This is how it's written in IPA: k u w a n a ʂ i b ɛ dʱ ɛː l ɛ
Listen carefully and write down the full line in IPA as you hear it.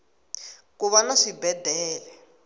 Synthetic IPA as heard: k u β a n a ʂ i b ɛ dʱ ɛː l ɛ